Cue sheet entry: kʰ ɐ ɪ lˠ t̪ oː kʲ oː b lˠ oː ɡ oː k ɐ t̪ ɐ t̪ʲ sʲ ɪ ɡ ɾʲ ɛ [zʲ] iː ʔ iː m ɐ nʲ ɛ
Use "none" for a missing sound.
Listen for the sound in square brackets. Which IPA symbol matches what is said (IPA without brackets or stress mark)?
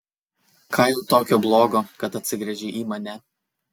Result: ʒʲ